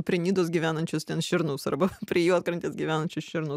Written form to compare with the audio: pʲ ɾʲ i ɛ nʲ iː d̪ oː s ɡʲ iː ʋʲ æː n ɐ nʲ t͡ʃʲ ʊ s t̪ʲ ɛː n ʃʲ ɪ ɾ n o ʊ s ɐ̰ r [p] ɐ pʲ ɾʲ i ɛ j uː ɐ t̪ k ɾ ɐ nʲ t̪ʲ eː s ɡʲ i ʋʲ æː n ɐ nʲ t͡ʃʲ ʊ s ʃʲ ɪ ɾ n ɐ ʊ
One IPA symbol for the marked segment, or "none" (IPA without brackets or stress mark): b